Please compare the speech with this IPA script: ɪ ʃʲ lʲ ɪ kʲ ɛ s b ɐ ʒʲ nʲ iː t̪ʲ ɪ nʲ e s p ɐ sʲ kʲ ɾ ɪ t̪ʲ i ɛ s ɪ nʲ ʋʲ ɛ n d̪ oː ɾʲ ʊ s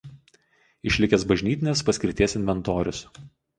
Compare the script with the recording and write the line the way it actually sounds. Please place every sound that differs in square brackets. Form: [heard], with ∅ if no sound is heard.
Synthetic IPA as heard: ɪ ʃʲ lʲ ɪ kʲ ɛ s b ɐ ʒʲ nʲ iː t̪ʲ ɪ nʲ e s p ɐ sʲ kʲ ɾ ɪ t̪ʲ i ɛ s ɪ nʲ ʋʲ ɛ n [t̪] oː ɾʲ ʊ s